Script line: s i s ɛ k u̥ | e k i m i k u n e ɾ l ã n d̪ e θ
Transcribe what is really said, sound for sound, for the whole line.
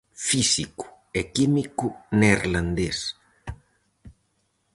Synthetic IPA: f i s i k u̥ | e k i m i k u n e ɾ l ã n d̪ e s